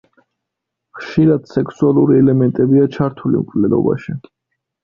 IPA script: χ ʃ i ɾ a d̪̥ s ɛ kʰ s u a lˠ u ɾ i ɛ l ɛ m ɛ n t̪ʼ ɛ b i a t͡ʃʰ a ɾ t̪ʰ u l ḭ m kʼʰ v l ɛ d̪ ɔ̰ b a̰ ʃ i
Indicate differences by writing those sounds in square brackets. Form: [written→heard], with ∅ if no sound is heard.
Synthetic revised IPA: χ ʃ i ɾ a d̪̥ s ɛ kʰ s u a lˠ u ɾ i ɛ l ɛ m ɛ n t̪ʼ ɛ b i a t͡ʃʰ a ɾ t̪ʰ u l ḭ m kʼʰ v l ɛ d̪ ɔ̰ b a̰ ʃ i